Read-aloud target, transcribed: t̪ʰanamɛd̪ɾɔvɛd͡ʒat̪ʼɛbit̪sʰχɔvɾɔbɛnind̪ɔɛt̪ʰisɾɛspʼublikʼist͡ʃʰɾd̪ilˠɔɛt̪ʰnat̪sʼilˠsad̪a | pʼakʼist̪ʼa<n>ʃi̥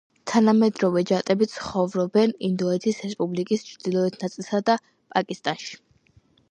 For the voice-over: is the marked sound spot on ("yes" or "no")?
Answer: yes